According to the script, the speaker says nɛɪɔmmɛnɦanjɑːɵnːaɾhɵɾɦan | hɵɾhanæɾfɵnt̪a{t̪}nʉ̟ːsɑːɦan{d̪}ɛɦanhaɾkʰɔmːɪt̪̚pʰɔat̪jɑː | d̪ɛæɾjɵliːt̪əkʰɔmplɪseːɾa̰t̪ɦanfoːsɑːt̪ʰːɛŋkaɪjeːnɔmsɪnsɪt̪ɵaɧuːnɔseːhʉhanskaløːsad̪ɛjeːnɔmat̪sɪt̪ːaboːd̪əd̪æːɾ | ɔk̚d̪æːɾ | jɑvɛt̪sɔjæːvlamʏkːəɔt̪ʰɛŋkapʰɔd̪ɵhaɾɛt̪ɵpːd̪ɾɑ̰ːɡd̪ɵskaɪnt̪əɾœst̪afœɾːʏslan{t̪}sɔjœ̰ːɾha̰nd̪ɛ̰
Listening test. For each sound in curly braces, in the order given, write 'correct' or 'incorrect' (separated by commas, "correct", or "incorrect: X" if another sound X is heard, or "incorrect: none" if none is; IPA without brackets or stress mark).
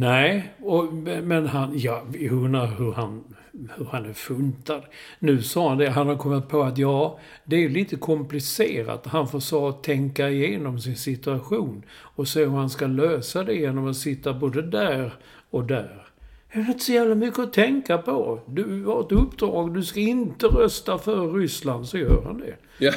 incorrect: d̪, correct, incorrect: d̪